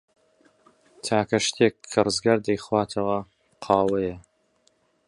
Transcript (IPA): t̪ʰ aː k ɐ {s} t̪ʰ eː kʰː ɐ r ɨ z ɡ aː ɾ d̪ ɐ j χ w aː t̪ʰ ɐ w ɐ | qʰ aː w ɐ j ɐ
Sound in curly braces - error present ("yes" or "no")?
yes